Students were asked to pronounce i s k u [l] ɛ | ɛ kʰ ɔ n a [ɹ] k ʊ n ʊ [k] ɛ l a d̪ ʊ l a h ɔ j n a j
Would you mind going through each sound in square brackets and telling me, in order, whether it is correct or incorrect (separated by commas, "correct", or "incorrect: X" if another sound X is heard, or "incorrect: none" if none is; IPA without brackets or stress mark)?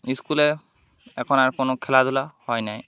correct, correct, incorrect: kʰ